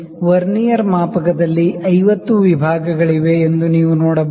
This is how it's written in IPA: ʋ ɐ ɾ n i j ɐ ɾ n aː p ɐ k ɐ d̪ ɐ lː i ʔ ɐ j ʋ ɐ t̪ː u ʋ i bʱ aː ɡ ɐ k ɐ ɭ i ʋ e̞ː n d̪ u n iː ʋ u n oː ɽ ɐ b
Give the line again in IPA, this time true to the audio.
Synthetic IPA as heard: ʋ ɐ ɾ n i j ɐ ɾ m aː p ɐ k ɐ d̪ ɐ lː i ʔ ɐ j ʋ ɐ t̪ː u ʋ i bʱ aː ɡ ɐ ɡ ɐ ɭ i ʋ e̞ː n d̪ u n iː ʋ u n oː ɽ ɐ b